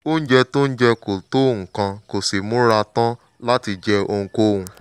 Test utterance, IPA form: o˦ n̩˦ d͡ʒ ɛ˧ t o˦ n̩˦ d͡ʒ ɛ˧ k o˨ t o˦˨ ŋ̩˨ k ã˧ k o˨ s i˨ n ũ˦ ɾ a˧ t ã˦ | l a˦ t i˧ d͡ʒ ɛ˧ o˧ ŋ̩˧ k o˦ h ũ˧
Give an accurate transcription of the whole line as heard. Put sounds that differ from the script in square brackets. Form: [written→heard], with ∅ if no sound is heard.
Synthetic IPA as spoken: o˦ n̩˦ d͡ʒ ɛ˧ t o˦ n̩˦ d͡ʒ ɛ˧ k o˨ t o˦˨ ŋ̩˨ k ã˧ k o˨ s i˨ [n→m] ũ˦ ɾ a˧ t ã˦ | l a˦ t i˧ d͡ʒ ɛ˧ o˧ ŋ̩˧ k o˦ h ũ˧

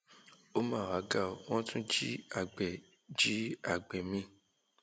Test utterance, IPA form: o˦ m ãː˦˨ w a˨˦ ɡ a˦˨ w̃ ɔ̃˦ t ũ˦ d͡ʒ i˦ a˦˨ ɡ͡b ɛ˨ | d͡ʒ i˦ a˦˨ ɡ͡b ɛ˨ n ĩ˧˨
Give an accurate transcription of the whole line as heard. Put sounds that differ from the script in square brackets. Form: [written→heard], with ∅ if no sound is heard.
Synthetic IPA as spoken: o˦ m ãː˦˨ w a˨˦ ɡ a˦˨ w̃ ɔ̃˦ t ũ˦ d͡ʒ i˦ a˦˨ ɡ͡b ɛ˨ | d͡ʒ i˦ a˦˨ ɡ͡b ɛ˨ [n→m] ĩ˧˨

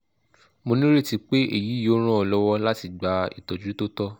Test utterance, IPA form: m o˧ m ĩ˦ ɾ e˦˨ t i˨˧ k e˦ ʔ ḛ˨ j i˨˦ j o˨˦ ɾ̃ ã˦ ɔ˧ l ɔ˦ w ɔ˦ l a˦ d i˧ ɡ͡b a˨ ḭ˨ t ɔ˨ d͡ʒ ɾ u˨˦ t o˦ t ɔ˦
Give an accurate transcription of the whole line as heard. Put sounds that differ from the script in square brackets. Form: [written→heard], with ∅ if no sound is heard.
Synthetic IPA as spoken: m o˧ [m→n] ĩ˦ ɾ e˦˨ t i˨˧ [k→k͡p] e˦ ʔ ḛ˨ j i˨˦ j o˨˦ ɾ̃ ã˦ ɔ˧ l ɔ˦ w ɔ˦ l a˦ [d→t] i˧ ɡ͡b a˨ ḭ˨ t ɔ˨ d͡ʒ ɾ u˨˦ t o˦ t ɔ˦

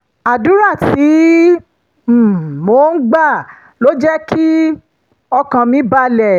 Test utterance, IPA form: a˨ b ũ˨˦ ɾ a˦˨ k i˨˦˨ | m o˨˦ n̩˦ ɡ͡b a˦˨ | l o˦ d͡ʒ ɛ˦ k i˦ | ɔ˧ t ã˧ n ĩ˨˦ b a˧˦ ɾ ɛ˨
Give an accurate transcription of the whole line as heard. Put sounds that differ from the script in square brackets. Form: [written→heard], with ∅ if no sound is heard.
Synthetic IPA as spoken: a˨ [b→d] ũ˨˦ ɾ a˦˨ [k→t] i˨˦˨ | m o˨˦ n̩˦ ɡ͡b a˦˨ | l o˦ d͡ʒ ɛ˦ k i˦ | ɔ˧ [t→k] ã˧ [n→m] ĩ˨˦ b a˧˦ [ɾ→l] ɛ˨

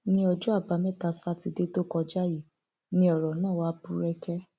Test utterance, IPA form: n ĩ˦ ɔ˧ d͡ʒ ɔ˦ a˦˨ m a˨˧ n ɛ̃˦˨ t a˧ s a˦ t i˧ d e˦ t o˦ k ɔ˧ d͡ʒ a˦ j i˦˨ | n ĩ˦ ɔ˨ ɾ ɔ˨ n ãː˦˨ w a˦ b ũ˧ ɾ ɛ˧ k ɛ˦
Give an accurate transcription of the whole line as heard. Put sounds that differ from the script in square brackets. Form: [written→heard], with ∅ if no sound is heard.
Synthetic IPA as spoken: n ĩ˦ ɔ˧ d͡ʒ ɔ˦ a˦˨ [m→b] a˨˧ [n→m] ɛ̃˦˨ t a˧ s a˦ t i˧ d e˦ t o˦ k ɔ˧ d͡ʒ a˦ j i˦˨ | n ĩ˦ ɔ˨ ɾ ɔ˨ n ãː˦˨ w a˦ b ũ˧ ɾ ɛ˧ k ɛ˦

